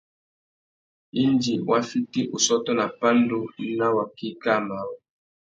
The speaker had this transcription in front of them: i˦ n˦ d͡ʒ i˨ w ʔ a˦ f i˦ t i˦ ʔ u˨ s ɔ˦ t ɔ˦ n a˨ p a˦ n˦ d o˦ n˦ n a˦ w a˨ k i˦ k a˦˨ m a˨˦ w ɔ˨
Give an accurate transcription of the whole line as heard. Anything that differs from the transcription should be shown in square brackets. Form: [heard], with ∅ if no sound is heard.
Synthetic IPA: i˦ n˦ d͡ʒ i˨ w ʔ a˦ f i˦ t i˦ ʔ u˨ s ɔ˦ t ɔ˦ n a˨ p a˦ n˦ d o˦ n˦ n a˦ w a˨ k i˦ k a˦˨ m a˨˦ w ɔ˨